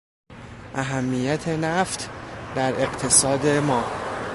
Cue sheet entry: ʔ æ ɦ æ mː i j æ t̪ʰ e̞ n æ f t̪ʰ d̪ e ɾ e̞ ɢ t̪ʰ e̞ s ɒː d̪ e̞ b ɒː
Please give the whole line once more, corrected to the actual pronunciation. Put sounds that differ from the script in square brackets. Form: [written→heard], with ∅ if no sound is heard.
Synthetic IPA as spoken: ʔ æ ɦ æ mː i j æ t̪ʰ e̞ n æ f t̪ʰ d̪ [e→æ] ɾ e̞ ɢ t̪ʰ e̞ s ɒː d̪ e̞ [b→m] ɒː